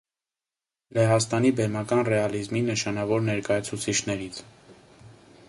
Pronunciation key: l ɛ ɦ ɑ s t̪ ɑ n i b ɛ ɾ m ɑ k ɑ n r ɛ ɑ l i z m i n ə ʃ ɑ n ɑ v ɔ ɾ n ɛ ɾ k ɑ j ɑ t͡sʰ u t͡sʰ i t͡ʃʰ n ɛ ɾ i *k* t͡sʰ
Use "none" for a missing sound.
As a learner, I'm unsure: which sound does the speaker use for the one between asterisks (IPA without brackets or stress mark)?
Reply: none